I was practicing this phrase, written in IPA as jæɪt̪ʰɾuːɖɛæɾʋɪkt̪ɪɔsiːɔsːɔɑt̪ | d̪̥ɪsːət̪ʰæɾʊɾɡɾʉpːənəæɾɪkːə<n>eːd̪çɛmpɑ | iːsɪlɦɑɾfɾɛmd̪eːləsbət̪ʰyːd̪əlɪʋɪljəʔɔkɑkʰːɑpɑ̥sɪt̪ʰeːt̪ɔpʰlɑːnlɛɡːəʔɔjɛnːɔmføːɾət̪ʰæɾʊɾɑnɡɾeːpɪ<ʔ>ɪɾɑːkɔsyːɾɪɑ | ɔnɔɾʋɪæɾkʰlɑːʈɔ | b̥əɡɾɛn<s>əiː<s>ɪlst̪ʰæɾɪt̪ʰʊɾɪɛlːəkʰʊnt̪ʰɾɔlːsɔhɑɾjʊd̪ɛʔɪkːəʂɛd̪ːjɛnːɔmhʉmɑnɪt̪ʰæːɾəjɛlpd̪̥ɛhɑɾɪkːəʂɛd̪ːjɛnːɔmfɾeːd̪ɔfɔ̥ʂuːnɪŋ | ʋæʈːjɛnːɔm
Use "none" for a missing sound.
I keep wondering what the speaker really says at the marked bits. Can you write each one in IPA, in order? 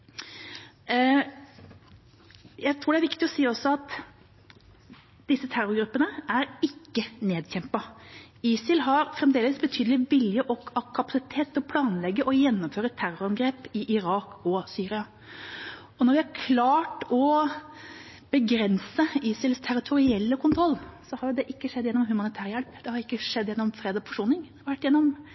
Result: n, ʔ, s, s

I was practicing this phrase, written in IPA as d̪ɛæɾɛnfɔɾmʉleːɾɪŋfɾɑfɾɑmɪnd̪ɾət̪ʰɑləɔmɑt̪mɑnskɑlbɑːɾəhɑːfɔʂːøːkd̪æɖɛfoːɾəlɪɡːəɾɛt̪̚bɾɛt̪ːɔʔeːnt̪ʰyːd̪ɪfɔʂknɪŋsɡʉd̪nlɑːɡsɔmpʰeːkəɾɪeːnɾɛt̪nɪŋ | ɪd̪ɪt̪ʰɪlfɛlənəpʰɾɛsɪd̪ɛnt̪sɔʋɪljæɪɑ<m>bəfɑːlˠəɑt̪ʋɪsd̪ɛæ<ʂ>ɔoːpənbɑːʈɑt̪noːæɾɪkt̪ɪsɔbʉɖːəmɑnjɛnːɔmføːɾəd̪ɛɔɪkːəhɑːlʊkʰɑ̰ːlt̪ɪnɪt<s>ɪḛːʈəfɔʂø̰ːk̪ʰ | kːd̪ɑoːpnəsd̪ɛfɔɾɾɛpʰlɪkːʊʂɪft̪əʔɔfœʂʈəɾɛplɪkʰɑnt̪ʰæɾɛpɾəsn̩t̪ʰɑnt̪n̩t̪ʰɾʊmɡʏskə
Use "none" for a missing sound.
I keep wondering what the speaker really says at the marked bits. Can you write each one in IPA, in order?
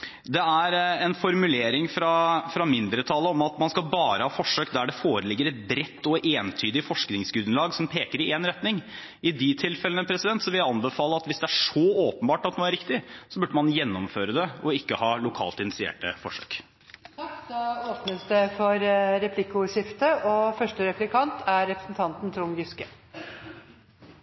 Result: n, ʂ, s

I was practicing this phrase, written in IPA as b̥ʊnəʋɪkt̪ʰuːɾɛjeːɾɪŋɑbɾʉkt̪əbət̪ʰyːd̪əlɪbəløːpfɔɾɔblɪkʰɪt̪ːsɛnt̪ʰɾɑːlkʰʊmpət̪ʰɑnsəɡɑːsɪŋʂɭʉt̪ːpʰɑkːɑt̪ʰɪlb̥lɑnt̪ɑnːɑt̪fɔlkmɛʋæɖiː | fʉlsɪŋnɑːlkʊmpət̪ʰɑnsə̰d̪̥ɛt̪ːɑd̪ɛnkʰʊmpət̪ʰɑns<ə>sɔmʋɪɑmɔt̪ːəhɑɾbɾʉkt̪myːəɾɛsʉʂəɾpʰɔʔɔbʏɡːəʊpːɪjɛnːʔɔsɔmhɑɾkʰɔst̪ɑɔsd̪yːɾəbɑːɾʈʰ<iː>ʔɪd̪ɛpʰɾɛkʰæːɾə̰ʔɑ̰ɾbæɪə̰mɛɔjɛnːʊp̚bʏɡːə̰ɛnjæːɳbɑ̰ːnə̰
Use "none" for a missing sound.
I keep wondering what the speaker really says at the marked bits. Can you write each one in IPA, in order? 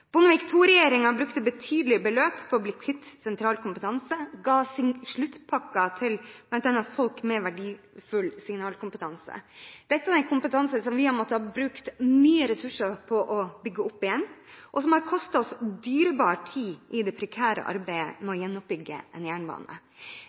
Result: ə, iː

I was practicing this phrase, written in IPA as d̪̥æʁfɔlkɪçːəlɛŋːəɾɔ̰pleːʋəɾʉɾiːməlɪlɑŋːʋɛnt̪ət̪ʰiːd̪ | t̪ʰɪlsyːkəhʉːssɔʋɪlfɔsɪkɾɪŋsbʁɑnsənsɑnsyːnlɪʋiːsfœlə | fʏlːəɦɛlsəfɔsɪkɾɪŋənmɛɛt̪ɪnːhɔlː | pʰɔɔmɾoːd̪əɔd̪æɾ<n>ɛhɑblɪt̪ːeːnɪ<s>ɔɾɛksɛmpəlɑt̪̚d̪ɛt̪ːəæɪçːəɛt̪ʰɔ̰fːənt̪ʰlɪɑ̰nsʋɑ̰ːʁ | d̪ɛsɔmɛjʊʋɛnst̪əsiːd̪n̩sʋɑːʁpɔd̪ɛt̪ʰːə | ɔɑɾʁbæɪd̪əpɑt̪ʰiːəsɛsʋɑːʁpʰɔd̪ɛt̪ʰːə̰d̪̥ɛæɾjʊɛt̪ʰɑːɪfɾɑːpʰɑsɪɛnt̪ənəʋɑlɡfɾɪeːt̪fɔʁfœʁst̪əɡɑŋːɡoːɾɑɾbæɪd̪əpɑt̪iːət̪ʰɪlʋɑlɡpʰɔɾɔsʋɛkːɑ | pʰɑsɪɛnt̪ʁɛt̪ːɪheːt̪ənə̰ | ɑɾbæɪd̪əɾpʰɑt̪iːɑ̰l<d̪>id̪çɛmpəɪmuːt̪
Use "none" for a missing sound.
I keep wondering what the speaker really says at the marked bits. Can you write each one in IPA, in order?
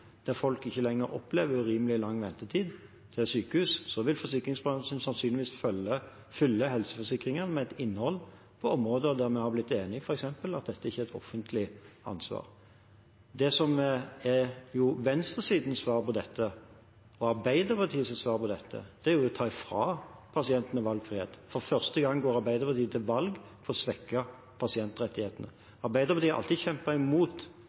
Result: m, f, t̪

